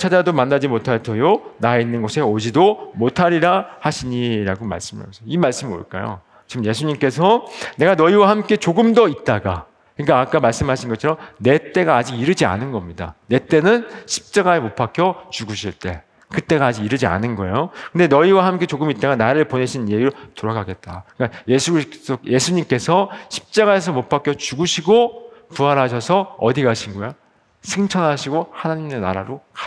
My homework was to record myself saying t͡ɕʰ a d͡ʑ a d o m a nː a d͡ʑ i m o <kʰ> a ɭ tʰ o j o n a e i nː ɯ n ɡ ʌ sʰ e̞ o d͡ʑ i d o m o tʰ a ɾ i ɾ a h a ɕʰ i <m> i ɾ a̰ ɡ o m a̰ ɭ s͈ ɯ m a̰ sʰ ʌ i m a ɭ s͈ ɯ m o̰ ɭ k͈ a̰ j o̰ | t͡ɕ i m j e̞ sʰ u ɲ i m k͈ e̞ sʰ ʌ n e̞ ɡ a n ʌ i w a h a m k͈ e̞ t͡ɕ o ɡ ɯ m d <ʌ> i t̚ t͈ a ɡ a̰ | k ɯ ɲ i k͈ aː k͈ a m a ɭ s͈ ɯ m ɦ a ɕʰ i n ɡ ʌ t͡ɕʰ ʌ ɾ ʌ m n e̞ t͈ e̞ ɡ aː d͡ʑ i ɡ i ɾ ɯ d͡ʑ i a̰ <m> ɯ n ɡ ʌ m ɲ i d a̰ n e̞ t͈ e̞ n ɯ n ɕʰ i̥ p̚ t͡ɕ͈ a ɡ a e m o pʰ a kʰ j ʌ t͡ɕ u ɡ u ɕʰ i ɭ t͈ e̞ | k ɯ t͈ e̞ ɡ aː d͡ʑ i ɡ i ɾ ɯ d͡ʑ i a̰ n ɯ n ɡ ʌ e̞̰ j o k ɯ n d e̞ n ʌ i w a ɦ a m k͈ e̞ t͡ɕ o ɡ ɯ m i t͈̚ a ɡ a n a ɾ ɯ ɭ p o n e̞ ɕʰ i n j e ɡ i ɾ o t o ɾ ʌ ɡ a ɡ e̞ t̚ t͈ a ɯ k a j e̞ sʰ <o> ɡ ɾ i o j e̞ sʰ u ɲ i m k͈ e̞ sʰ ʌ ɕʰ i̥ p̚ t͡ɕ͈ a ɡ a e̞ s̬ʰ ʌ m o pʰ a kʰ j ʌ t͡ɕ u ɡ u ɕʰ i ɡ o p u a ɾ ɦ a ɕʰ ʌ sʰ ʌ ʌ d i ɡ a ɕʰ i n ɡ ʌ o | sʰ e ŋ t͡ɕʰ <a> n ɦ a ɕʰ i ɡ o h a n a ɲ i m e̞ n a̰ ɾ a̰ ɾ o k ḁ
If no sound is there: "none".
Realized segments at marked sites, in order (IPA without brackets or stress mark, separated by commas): tʰ, ɲ, ʌ, n, u, ʌ